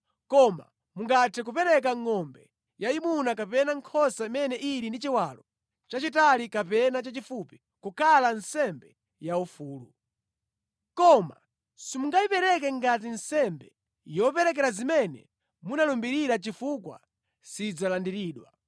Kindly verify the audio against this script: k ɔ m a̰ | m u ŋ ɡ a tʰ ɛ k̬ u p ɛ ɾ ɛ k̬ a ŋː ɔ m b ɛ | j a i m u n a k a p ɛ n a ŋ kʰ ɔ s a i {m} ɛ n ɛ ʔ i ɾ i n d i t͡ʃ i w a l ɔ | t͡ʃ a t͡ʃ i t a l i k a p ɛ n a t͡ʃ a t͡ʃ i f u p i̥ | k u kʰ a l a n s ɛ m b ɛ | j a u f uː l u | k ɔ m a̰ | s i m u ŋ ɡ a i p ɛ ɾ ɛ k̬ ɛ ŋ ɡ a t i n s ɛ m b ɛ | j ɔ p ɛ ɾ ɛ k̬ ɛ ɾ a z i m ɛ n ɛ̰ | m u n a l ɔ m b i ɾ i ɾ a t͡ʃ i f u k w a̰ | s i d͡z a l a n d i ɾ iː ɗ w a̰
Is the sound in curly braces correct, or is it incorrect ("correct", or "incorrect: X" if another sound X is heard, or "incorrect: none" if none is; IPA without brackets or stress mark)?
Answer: correct